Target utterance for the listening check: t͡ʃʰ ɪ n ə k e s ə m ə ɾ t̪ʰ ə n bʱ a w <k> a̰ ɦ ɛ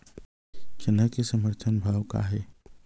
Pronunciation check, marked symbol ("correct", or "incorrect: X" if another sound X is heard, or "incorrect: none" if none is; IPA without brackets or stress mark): correct